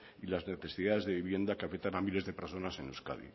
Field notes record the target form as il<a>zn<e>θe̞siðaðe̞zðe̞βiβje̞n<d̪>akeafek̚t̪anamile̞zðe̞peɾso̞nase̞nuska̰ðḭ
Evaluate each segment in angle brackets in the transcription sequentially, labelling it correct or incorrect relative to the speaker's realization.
correct, correct, correct

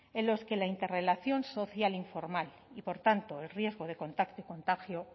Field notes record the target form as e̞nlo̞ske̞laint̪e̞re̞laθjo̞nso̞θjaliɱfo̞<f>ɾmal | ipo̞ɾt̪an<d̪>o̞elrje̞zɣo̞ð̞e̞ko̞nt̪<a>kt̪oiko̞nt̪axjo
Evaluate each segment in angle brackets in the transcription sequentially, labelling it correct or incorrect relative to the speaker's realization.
incorrect: none, incorrect: t̪, correct

